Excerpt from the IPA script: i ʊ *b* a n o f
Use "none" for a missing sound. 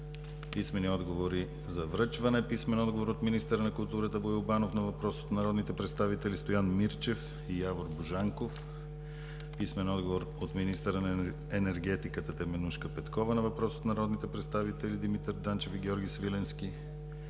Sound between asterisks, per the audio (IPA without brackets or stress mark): b